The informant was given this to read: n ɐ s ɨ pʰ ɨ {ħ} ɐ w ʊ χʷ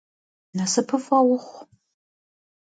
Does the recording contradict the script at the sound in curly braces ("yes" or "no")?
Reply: yes